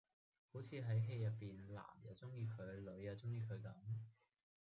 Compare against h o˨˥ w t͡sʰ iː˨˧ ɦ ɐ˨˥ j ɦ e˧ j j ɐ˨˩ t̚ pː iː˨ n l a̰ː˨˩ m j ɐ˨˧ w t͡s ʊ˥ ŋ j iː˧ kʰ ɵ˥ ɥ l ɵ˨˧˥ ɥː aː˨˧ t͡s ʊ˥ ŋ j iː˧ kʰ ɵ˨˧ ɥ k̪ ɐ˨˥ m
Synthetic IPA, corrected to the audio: h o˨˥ w t͡sʰ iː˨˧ ɦ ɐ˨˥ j ɦ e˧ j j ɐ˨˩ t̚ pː iː˨ n l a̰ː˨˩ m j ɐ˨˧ w t͡s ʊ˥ ŋ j iː˧ kʰ ɵ˨˧ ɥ l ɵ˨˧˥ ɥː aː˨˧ t͡s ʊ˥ ŋ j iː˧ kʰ ɵ˨˧ ɥ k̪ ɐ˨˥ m